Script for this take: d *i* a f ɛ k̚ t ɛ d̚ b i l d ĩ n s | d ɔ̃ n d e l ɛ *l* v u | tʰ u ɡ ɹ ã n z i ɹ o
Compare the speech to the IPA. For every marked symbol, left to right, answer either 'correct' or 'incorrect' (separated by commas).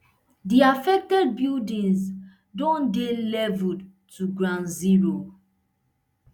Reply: correct, incorrect